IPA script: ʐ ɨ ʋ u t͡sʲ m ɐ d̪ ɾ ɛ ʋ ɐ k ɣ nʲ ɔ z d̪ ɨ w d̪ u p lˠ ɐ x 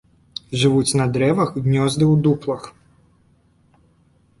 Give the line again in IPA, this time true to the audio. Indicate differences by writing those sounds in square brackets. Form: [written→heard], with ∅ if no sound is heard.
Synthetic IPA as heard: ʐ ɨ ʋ u t͡sʲ [m→n] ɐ d̪ ɾ ɛ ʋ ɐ [k→x] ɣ nʲ ɔ z d̪ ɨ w d̪ u p lˠ ɐ x